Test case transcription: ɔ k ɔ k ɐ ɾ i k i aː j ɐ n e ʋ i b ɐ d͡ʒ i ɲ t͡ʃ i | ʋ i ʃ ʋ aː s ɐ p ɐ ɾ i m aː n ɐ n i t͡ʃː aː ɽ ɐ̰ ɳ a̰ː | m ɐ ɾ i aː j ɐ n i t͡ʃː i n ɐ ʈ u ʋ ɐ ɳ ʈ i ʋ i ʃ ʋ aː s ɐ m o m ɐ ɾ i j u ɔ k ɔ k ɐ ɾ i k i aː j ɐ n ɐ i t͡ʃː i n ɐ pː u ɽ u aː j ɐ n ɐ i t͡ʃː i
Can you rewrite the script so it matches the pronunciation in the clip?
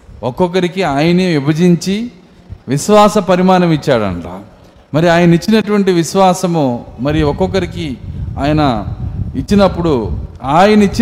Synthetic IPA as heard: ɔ k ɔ k ɐ ɾ i k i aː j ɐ n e ʋ i b ɐ d͡ʒ i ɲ t͡ʃ i | ʋ i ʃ ʋ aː s ɐ p ɐ ɾ i m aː n ɐ m i t͡ʃː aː ɽ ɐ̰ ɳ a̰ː | m ɐ ɾ i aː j ɐ n i t͡ʃː i n ɐ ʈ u ʋ ɐ ɳ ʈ i ʋ i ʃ ʋ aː s ɐ m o m ɐ ɾ i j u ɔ k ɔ k ɐ ɾ i k i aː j ɐ n ɐ i t͡ʃː i n ɐ pː u ɽ u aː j ɐ n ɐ i t͡ʃː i